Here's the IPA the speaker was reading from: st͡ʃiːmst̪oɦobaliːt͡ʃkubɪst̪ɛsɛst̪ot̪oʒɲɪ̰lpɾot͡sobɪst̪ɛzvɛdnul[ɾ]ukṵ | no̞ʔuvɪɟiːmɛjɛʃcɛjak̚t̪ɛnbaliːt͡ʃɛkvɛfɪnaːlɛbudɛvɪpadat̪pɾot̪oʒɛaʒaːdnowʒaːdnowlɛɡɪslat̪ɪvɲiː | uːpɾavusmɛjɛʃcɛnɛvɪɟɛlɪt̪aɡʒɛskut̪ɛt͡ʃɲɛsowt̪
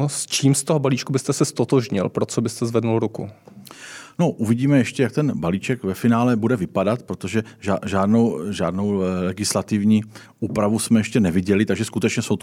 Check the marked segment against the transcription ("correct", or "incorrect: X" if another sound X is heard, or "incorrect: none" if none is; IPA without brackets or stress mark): correct